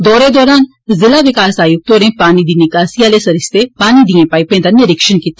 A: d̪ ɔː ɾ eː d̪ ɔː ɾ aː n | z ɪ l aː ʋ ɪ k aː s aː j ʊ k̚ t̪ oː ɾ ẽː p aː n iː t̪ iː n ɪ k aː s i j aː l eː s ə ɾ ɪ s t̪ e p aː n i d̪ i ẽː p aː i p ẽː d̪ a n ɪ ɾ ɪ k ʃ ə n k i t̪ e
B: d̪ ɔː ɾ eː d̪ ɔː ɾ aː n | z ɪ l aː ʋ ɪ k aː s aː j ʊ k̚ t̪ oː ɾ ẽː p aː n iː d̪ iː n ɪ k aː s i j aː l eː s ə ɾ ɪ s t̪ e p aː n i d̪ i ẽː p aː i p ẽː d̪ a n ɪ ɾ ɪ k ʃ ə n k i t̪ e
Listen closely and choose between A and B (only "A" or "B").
B